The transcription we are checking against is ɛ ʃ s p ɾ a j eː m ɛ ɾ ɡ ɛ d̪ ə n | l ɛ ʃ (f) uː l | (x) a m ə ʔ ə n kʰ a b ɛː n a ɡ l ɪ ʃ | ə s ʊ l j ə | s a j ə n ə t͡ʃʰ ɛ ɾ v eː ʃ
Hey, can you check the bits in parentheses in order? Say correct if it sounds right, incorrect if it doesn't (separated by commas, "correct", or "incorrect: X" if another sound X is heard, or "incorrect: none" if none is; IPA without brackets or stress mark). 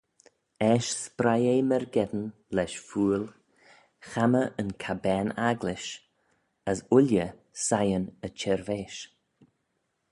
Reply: correct, correct